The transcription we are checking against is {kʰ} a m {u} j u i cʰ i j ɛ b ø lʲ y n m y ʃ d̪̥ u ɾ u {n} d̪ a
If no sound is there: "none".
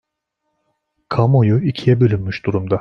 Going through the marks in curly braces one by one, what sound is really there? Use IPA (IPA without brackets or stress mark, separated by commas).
kʰ, o, m